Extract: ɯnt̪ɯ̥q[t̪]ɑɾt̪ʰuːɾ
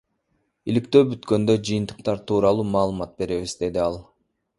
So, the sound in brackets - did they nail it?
yes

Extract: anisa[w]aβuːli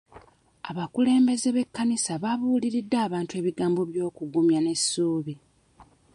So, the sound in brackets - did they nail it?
no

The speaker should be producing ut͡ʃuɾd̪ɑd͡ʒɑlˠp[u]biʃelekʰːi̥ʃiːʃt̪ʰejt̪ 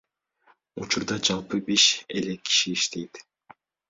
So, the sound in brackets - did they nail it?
no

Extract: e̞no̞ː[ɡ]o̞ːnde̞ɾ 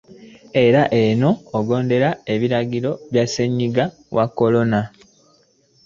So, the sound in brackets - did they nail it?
yes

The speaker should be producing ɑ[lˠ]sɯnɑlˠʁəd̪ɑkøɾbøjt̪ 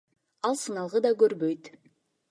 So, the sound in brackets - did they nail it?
yes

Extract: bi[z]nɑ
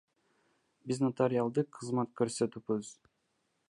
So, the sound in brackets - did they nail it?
yes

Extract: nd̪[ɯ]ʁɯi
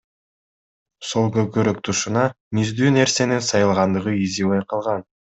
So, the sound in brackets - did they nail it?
yes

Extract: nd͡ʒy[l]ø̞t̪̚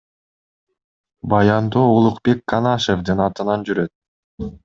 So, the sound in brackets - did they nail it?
no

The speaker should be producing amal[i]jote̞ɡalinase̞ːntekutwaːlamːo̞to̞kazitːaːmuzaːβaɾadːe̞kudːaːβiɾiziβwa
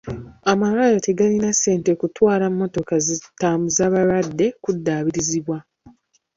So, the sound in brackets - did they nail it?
no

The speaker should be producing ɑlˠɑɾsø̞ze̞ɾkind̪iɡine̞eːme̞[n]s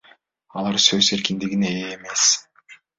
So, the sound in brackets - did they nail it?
no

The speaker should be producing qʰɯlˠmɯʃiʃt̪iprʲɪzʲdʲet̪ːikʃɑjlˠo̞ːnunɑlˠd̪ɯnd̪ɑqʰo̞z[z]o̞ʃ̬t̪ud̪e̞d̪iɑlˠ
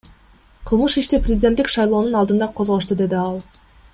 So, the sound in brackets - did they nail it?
no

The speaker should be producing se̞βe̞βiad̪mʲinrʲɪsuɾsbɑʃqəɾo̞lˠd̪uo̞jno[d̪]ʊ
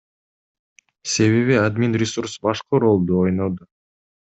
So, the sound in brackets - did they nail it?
yes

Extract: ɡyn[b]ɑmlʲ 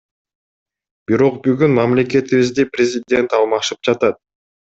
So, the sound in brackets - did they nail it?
no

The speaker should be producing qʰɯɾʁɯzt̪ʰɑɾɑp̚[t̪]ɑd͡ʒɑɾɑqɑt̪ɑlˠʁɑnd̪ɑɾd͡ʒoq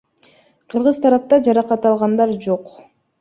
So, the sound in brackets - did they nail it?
yes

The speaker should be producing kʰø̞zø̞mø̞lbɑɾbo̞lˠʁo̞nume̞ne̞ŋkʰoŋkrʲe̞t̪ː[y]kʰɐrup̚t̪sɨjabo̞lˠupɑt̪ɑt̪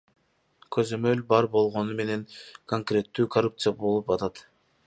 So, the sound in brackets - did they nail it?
no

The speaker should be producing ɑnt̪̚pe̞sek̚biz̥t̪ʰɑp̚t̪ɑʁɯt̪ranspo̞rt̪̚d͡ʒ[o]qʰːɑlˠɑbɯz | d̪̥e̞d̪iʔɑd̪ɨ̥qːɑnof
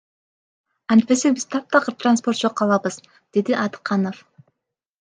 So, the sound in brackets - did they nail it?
yes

